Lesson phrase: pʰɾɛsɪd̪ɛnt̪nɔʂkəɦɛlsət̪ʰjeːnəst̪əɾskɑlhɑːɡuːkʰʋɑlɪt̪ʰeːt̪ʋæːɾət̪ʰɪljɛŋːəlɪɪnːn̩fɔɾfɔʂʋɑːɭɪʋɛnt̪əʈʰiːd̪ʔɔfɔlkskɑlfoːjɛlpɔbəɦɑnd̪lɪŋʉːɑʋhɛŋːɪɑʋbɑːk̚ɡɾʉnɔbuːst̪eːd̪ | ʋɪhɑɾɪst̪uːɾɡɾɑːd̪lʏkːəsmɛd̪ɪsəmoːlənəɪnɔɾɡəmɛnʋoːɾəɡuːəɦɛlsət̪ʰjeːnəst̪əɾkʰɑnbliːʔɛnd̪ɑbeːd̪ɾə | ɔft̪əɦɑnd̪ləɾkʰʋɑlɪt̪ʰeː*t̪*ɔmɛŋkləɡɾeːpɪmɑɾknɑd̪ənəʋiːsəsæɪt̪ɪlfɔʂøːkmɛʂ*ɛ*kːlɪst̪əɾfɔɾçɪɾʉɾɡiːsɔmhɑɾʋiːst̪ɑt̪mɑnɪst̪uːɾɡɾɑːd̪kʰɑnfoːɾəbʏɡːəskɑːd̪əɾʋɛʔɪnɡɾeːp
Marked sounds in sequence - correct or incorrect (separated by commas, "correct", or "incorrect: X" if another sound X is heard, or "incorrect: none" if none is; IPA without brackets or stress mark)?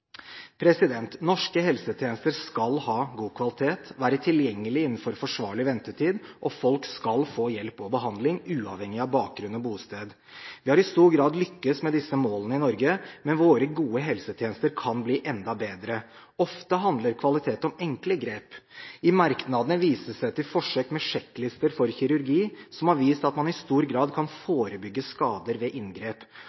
correct, correct